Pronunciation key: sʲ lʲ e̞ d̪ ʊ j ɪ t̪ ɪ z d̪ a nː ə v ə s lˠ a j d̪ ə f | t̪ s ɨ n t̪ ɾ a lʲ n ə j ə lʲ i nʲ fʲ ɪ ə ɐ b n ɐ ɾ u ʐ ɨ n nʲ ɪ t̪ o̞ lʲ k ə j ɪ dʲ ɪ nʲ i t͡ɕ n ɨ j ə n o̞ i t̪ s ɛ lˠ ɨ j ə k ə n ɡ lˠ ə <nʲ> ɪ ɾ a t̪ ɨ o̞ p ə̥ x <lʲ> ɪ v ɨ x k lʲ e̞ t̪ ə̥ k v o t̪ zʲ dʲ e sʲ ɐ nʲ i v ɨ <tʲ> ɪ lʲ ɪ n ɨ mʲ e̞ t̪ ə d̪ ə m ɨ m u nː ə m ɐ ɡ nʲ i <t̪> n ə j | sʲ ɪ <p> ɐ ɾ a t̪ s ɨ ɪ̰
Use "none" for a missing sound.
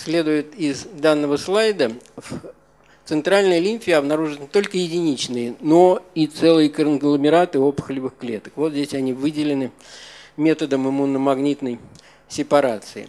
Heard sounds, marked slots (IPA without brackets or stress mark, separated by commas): mʲ, lʲ, dʲ, t̪, p